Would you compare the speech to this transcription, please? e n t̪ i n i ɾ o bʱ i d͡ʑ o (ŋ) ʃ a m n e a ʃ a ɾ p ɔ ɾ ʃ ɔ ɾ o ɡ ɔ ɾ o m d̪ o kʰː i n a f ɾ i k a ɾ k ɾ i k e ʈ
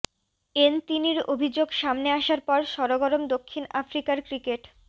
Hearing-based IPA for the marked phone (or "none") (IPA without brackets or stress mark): ɡ